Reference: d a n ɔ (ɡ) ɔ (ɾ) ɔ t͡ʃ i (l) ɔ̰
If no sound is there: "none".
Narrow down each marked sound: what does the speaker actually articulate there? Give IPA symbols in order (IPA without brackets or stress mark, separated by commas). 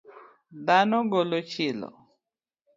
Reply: ɡ, l, l